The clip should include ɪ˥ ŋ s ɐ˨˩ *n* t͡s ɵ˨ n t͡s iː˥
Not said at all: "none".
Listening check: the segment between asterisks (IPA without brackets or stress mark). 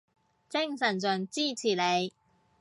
n